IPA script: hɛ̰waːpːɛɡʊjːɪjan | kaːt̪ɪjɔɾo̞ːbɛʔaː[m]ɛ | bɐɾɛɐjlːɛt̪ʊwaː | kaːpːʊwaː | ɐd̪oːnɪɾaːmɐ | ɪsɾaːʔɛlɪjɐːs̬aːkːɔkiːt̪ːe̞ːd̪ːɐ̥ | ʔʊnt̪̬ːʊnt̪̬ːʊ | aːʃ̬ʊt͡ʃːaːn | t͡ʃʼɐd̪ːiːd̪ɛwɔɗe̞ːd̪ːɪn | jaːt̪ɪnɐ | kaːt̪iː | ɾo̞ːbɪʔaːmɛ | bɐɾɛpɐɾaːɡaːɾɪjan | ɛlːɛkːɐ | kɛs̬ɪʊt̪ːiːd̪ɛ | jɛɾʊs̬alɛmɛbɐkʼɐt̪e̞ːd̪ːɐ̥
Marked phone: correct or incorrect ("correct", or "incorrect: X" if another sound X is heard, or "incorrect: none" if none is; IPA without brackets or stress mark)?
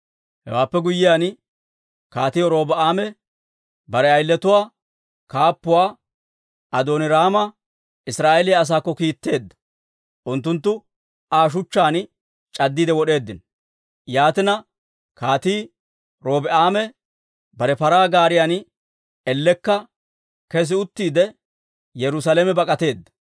correct